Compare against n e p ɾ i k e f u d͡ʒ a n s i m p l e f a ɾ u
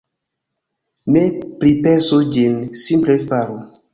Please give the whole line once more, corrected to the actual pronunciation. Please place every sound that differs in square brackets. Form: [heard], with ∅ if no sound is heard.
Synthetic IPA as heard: n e p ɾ i [p] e [s] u d͡ʒ [i] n s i m p l e f a ɾ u

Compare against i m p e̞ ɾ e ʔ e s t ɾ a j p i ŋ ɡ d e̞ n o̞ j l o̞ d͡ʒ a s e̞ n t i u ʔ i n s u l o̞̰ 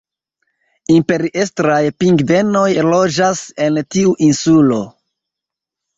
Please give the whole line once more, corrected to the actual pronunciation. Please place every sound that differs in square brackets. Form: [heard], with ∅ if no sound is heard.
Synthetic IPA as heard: i m p e̞ ɾ [i] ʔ e s t ɾ a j p i ŋ ɡ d e̞ n o̞ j l o̞ d͡ʒ a s e̞ n t i u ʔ i n s u l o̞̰

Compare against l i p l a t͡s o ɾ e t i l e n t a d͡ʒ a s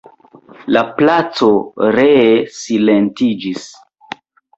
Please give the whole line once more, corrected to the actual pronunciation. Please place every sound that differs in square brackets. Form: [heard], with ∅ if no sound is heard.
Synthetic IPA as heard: l [a] p l a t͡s o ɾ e [s] i l e n t [i] d͡ʒ [i] s

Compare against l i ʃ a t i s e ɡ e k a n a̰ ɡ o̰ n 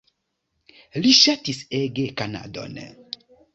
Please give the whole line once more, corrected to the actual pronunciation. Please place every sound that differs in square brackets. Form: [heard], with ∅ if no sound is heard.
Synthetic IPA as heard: l i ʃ a t i s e ɡ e k a n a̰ [d] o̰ n

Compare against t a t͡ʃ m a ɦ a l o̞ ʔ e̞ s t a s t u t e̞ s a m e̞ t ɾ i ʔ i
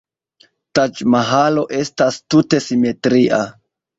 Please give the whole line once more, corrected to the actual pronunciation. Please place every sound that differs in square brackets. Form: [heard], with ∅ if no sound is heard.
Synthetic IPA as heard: t a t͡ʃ m a ɦ a l o̞ ʔ e̞ s t a s t u t e̞ s [i] m e̞ t ɾ i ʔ [a]

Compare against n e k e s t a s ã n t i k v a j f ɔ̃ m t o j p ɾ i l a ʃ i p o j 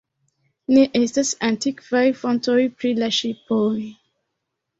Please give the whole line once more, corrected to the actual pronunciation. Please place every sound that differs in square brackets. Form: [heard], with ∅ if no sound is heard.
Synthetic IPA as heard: n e [ʔ] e s t a s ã n t i k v a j f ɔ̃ [n] t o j p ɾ i l a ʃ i p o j

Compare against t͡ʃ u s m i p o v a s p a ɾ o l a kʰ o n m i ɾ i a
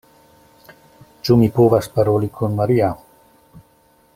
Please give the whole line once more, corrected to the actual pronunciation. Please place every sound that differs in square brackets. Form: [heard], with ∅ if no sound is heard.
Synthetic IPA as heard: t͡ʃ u [∅] m i p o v a s p a ɾ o l [i] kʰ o n m [a] ɾ i a

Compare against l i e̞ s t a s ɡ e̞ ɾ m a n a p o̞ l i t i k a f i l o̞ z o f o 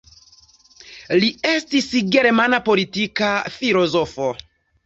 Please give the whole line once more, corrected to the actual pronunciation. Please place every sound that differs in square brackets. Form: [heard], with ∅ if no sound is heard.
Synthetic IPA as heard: l i e̞ s t [i] s ɡ e̞ ɾ m a n a p o̞ l i t i k a f i l o̞ z o f o

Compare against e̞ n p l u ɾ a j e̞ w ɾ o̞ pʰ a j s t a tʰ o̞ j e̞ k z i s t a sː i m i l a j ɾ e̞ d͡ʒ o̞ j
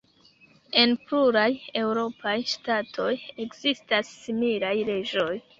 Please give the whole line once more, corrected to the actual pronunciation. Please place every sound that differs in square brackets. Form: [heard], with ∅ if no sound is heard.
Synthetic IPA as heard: e̞ n p l u ɾ a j e̞ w ɾ o̞ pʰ a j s t a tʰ o̞ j e̞ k z i s t a sː i m i l a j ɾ e̞ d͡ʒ o̞ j

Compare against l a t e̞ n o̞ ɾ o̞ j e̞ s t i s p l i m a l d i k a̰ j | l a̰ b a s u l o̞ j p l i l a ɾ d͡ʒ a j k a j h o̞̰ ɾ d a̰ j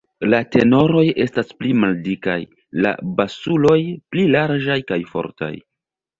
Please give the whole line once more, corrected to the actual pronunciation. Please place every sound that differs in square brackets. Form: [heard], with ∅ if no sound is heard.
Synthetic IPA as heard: l a t e̞ n o̞ ɾ o̞ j e̞ s t [a] s p l i m a l d i k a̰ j | l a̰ b a s u l o̞ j p l i l a ɾ d͡ʒ a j k a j [f] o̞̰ ɾ [t] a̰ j

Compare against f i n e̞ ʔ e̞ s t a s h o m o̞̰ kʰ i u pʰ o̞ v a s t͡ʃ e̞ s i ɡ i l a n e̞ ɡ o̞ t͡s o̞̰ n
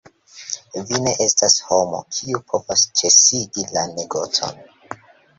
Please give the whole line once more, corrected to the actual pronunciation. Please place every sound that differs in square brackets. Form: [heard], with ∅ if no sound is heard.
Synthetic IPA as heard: [v] i n e̞ ʔ e̞ s t a s h o m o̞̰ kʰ i u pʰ o̞ v a s t͡ʃ e̞ s i ɡ i l a n e̞ ɡ o̞ t͡s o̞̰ n

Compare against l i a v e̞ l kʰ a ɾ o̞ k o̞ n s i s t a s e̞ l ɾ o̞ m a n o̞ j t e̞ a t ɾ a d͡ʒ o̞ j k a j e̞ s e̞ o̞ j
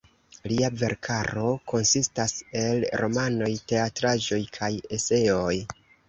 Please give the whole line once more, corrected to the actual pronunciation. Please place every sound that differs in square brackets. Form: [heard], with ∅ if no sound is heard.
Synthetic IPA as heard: l i a v e̞ [ɾ] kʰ a ɾ o̞ k o̞ n s i s t a s e̞ l ɾ o̞ m a n o̞ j t e̞ a t ɾ a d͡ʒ o̞ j [kʰ] a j e̞ s e̞ o̞ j

